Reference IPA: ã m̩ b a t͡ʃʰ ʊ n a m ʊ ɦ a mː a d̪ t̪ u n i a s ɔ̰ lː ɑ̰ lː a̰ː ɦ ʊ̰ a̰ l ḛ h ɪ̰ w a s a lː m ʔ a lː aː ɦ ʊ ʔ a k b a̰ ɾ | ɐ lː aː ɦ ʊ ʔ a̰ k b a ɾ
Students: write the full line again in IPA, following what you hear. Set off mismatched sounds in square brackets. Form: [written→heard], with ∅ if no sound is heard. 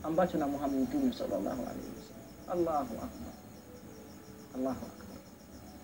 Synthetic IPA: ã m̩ b a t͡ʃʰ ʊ n a m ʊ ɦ a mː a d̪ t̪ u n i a s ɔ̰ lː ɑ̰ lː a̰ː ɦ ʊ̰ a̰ l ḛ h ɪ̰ w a s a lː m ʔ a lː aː ɦ ʊ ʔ a k b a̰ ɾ | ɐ lː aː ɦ ʊ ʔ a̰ k b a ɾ